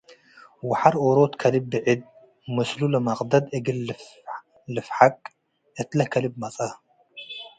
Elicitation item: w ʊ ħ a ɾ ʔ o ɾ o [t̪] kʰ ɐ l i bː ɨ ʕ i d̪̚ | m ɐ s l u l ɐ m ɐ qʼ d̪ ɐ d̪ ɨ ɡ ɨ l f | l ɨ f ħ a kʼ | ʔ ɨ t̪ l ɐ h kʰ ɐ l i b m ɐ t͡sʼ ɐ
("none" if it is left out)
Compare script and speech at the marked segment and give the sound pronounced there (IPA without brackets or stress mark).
t̪